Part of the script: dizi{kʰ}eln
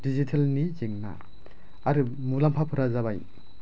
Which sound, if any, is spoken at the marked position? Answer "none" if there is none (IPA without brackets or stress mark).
tʰ